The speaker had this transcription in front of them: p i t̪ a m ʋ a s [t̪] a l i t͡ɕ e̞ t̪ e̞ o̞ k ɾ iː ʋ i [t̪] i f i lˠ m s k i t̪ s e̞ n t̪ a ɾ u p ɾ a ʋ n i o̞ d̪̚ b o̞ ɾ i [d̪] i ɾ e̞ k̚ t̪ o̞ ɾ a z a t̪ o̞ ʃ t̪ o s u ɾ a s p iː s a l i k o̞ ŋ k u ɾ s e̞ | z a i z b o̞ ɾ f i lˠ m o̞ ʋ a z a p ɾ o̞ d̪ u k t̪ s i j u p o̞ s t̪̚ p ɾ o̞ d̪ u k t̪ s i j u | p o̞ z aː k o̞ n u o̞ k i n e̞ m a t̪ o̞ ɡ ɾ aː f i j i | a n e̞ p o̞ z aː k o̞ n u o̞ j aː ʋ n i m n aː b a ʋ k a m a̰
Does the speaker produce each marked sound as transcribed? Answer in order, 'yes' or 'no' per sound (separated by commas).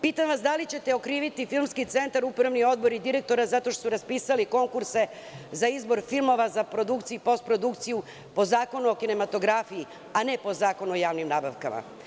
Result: no, yes, yes